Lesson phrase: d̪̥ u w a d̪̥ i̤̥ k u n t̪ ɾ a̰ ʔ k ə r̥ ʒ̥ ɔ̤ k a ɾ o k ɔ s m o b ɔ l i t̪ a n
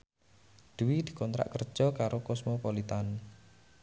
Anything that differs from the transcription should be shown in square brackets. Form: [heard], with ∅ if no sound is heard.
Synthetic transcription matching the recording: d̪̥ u w [i] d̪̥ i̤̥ k [ɔ] n t̪ ɾ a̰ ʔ k ə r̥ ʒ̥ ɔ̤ k a ɾ o k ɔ s m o [p] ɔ l i t̪ a n